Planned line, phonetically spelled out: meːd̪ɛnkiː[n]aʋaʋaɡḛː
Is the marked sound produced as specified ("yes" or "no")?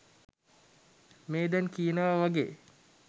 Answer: yes